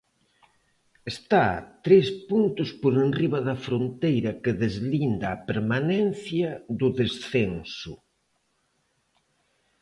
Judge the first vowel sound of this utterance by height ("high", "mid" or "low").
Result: mid